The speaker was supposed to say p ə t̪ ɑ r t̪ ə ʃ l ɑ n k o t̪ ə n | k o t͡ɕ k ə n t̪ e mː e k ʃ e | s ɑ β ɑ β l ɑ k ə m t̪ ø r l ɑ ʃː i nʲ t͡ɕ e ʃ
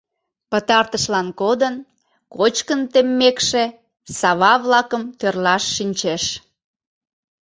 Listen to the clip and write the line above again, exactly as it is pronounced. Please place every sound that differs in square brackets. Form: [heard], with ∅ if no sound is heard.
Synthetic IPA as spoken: p ə t̪ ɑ r t̪ ə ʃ l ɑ n k o [d̪] ə n | k o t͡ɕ k ə n t̪ e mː e k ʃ e | s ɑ β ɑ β l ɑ k ə m t̪ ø r l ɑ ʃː i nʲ t͡ɕ e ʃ